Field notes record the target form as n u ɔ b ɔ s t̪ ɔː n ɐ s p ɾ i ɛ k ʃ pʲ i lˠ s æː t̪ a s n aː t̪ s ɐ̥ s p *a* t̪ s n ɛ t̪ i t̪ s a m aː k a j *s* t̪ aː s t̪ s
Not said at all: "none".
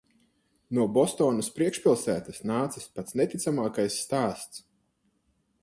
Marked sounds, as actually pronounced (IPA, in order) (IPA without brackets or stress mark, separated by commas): a, sː